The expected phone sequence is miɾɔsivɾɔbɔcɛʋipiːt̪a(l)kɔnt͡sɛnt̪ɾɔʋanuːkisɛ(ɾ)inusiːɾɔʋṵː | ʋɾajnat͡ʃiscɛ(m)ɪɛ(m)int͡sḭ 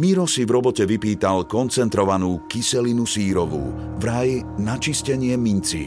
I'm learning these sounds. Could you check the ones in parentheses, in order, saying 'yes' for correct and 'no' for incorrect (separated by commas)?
yes, no, no, yes